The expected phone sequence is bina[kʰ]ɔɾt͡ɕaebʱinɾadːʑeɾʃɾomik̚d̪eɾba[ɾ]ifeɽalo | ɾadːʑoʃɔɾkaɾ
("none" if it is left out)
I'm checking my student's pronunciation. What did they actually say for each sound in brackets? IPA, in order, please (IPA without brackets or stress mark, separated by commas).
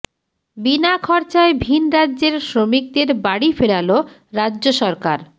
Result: kʰ, ɽ